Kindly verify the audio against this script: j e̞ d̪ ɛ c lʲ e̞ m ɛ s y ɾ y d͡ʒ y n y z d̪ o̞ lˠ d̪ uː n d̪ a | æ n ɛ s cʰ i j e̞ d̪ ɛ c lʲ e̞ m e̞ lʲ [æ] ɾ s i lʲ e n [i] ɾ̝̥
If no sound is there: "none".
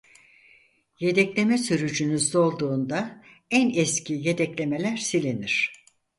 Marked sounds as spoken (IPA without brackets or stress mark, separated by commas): æ, i